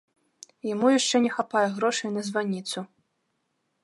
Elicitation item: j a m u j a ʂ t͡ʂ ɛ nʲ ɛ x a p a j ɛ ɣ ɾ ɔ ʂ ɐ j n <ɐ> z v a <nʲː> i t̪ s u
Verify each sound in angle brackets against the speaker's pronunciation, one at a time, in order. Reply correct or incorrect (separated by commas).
correct, incorrect